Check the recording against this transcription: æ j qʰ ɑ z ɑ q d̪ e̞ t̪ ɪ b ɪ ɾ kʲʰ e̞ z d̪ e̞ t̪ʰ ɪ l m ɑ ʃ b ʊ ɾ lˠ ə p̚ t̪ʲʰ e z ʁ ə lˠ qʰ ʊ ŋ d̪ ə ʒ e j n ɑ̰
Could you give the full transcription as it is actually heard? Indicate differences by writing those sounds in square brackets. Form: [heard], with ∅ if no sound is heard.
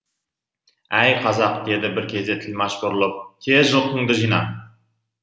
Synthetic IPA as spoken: æ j qʰ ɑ z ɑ q d̪ e̞ [d̪] ɪ b ɪ ɾ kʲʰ e̞ z d̪ e̞ t̪ʰ ɪ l m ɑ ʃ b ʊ ɾ lˠ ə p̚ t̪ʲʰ e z [ʒ] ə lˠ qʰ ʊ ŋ d̪ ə ʒ [i] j n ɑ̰